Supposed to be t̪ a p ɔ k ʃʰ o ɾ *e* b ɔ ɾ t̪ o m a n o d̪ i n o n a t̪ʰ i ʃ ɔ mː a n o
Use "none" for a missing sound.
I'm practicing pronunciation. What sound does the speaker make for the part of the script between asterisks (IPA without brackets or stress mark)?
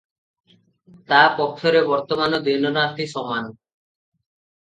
e